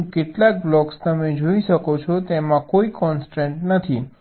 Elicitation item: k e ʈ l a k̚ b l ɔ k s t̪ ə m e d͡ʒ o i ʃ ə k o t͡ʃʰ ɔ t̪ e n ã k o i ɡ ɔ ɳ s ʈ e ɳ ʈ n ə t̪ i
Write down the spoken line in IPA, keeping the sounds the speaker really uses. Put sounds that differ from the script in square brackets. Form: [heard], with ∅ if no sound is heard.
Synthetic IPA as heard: k e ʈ l a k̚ b l ɔ k s t̪ ə m e d͡ʒ o i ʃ ə k o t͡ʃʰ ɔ t̪ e [m] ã k o i [k] ɔ [n] s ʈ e ɳ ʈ n ə [t̪ʰ] i